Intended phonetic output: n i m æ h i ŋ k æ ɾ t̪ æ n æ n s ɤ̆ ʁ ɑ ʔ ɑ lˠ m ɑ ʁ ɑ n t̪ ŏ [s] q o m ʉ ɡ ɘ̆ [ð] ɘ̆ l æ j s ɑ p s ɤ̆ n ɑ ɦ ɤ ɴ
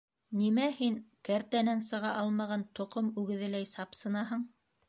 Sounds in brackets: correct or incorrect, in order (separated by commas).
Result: incorrect, correct